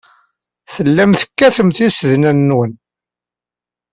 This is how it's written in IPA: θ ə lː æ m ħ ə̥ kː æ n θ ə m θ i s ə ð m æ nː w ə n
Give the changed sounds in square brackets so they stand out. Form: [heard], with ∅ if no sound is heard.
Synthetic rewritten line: θ ə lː æ m [θ] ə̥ kː æ [∅] θ ə m θ i s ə ð [n] æ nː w ə n

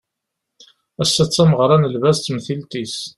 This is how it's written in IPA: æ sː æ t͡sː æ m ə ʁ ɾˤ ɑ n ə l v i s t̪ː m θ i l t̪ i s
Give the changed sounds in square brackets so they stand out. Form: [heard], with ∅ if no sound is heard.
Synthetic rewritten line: æ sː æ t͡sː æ m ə ʁ ɾˤ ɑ n ə l v [æ] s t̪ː m θ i l t̪ i s

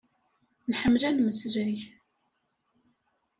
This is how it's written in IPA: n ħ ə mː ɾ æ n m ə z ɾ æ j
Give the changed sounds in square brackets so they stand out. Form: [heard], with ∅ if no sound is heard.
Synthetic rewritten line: n ħ ə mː [l] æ n m ə [s] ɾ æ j

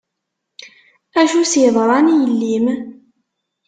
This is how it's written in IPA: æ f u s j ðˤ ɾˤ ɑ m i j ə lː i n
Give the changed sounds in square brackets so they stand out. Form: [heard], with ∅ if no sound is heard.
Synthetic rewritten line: æ [ʃ] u s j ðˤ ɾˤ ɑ [n] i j ə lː i [m]

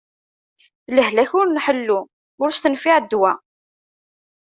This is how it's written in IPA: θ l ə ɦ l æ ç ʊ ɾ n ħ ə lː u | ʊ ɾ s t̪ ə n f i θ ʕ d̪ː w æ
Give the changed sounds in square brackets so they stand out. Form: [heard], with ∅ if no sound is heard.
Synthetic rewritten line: θ l ə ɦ l æ ç ʊ ɾ n ħ ə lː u | ʊ ɾ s t̪ ə n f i [∅] ʕ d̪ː w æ

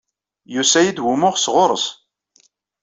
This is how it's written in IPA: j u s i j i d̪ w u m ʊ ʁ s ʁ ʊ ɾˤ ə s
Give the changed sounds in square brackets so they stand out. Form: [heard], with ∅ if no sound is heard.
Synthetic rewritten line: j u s [æ] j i d̪ w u m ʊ ʁ s ʁ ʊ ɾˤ ə s

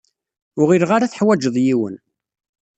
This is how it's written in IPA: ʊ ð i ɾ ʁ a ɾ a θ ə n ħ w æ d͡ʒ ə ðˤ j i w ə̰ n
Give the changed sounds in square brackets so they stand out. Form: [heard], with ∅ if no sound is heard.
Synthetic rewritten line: ʊ [ʁ] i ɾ ʁ a ɾ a θ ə [∅] ħ w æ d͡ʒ ə ðˤ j i w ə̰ n

